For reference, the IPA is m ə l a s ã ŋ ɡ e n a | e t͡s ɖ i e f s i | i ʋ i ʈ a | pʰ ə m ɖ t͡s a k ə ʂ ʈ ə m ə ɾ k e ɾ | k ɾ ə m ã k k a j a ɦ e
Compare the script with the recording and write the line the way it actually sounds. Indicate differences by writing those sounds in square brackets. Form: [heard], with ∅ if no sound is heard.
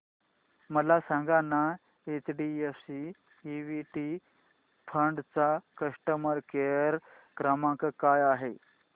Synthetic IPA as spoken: m ə l a s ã ŋ ɡ [a] n a | e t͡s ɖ i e f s i | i ʋ i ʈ [i] | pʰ ə [ɳ] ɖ t͡s a k ə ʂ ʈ ə m ə ɾ k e ɾ | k ɾ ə m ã k k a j a ɦ e